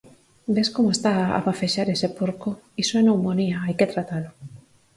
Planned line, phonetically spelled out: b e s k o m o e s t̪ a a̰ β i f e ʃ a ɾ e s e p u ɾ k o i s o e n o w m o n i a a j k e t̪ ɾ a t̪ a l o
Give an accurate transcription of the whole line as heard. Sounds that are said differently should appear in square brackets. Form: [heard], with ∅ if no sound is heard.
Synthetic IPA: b e s k o m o e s t̪ a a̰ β [a] f e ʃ a ɾ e s e p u ɾ k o i s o e n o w m o n i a a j k e t̪ ɾ a t̪ a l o

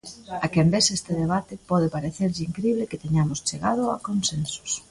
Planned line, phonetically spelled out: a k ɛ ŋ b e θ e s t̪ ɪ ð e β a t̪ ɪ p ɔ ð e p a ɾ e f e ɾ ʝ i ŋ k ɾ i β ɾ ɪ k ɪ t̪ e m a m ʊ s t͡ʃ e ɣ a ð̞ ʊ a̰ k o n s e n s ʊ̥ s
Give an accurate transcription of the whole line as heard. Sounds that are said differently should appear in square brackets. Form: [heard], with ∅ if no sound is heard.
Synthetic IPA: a k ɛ [m] b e [s] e s t̪ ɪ ð e β a t̪ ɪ p ɔ ð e p a ɾ e [θ] e ɾ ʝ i ŋ k ɾ i β [l] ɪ k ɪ t̪ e [ɲ] a m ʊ s t͡ʃ e ɣ a ð̞ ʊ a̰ k o n s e n s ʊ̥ s

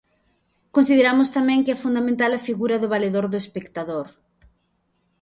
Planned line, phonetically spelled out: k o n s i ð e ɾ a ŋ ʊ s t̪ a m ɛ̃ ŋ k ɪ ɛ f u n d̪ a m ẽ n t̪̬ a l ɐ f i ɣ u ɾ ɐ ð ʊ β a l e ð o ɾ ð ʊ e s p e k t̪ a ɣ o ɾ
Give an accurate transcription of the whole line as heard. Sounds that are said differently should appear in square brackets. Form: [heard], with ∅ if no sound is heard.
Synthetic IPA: k o n s i ð e ɾ a [m] ʊ s t̪ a m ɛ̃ ŋ k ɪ ɛ f u n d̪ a m ẽ n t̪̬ a l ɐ f i ɣ u ɾ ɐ ð ʊ β a l e ð o ɾ ð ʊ e s p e k t̪ a [ð] o ɾ

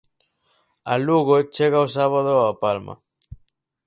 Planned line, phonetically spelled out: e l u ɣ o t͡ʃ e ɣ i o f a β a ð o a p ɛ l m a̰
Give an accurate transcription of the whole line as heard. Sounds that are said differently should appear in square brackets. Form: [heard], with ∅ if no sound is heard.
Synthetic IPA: [a] l u ɣ o t͡ʃ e ɣ [a] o [s] a β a ð o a p [a] l m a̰

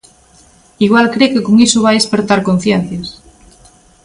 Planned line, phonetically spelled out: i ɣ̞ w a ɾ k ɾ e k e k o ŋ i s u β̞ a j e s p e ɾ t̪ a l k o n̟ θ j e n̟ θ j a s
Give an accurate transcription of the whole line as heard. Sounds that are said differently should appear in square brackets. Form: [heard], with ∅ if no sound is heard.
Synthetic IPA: i ɣ̞ w a [l] k ɾ e k e k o ŋ i s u β̞ a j e s p e ɾ t̪ a [ɾ] k o n̟ θ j e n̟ θ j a s

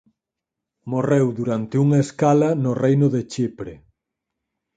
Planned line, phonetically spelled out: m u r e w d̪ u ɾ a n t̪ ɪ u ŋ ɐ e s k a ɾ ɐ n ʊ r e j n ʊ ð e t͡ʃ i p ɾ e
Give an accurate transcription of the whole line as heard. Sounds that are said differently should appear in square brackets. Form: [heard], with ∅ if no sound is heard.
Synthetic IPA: m [o] r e w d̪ u ɾ a n t̪ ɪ u ŋ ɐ e s k a [l] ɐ n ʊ r e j n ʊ ð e t͡ʃ i p ɾ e

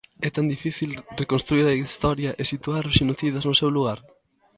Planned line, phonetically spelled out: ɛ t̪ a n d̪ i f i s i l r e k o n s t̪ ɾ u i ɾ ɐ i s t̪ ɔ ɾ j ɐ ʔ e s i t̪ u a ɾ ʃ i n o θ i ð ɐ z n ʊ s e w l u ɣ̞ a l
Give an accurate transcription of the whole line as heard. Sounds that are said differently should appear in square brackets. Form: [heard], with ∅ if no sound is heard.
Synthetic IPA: ɛ t̪ a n d̪ i f i [θ] i l r e k o n s t̪ ɾ u i ɾ ɐ i s t̪ ɔ ɾ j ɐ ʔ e s i t̪ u a ɾ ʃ i n o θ i ð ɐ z n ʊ s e w l u ɣ̞ a [ɾ]

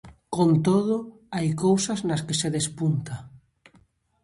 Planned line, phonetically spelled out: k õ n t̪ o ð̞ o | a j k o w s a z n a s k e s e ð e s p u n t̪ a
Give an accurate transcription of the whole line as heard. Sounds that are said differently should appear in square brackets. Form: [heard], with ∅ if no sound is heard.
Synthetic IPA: k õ n t̪ o ð̞ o | a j k o w s a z n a s k e s e ð e s p u n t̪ a

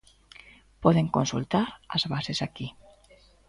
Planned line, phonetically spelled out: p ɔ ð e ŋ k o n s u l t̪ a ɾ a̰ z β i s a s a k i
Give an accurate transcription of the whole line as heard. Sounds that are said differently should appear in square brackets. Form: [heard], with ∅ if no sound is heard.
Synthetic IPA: p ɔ ð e ŋ k o n s u l t̪ a ɾ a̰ z β [a] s [e] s a k i

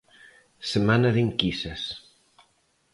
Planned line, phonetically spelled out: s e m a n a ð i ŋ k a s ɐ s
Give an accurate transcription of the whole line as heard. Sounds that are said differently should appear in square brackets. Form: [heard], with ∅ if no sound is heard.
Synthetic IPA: s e m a n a ð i ŋ k [i] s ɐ s

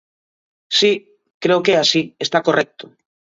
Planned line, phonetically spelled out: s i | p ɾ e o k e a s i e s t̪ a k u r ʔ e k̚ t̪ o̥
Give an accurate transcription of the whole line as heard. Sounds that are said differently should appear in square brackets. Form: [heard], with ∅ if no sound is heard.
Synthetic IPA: s i | [k] ɾ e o k e a s i e s t̪ a k [o] r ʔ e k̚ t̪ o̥

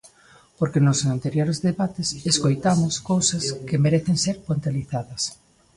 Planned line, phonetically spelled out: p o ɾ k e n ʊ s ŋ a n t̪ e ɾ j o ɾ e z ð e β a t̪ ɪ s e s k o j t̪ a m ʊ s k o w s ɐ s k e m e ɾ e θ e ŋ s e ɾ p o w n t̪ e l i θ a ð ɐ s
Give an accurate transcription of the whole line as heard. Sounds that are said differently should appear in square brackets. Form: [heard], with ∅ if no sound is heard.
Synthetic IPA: p o ɾ k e n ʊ s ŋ a n t̪ e ɾ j o ɾ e z ð e β a t̪ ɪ s e s k o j t̪ a m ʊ s k o w s ɐ s k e m e ɾ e θ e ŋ s e ɾ p o [∅] n t̪ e l i θ a ð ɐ s

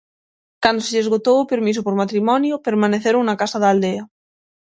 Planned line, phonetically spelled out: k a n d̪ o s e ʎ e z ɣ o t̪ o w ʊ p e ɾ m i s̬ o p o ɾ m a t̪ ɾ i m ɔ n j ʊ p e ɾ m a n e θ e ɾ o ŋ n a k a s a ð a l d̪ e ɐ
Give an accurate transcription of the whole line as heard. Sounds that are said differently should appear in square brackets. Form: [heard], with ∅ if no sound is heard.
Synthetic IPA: k a n d̪ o s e ʎ e z ɣ o t̪ o w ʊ p e ɾ m i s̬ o p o ɾ m a t̪ ɾ i m ɔ n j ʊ p e ɾ m a n e θ e ɾ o ŋ n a k a s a ð a l d̪ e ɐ

